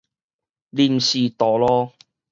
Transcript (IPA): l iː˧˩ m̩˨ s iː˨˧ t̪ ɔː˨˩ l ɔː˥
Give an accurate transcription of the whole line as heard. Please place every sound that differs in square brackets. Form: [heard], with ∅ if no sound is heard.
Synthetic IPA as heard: l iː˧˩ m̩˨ s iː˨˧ t̪ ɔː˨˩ l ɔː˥